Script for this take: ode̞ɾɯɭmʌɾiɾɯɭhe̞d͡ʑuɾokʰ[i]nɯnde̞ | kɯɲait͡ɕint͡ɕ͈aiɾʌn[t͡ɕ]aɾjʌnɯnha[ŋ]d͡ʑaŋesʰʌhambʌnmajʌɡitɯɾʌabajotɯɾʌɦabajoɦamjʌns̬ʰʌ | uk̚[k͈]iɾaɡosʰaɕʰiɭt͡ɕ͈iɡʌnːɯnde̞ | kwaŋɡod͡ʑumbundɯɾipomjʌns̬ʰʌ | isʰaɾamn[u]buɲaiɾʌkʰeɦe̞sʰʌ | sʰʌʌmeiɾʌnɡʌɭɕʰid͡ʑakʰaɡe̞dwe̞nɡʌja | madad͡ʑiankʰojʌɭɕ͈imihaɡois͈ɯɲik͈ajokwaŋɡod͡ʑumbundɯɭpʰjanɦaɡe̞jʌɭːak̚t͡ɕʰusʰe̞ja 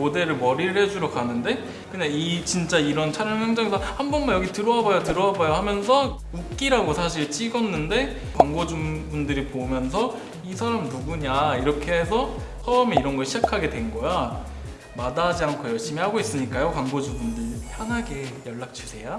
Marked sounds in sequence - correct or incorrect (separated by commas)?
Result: incorrect, incorrect, correct, correct, correct